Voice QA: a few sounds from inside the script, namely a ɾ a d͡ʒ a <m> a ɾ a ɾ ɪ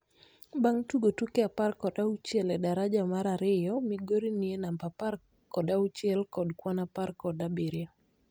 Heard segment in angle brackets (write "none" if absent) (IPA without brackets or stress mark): m